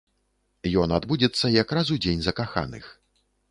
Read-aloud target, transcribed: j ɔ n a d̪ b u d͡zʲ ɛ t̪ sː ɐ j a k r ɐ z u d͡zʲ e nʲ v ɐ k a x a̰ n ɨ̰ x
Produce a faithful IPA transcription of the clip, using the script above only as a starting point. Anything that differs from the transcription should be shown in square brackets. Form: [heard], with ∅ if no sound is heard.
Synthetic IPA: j ɔ n a d̪ b u d͡zʲ ɛ t̪ sː ɐ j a k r [a] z u d͡zʲ e nʲ [z] ɐ k a x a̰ n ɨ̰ x